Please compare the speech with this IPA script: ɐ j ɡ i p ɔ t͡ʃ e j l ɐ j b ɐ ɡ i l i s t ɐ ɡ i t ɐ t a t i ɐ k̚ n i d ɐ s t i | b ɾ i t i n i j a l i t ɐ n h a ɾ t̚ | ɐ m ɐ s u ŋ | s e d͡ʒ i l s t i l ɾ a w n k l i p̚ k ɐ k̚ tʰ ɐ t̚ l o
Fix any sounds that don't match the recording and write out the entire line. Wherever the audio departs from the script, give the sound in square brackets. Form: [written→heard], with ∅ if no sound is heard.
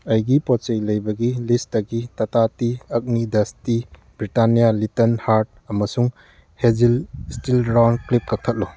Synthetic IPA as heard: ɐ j ɡ i p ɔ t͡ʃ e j l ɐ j b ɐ ɡ i l i s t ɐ ɡ i t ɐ t a t i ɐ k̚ n i d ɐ s t i | b ɾ i t [i→a] n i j a l i t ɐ n h a ɾ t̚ | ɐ m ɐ s u ŋ | [s→h] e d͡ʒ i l s t i l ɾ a w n k l i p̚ k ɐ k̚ tʰ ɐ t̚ l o